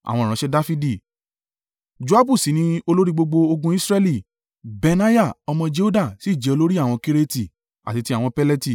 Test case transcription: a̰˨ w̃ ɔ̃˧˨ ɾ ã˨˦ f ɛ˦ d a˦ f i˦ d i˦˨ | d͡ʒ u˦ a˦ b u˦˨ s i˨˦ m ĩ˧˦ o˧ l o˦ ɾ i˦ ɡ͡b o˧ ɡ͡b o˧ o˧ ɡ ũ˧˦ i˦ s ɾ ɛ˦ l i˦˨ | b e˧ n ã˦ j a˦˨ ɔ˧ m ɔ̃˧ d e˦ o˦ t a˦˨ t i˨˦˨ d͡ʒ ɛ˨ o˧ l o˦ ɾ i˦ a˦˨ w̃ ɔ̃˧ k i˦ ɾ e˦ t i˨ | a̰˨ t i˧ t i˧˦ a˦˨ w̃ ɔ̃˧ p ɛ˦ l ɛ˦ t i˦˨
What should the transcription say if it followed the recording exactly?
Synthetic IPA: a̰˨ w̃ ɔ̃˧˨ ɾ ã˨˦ ʃ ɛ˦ d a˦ f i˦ d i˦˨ | d͡ʒ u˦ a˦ b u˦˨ s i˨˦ n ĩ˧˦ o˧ l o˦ ɾ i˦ ɡ͡b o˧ ɡ͡b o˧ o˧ ɡ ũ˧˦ i˦ s ɾ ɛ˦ l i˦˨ | b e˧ n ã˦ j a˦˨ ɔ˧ m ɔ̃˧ d͡ʒ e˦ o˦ d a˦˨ s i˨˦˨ d͡ʒ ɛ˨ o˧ l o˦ ɾ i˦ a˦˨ w̃ ɔ̃˧ k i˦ ɾ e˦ t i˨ | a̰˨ t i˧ t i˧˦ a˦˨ w̃ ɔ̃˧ p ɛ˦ l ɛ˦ t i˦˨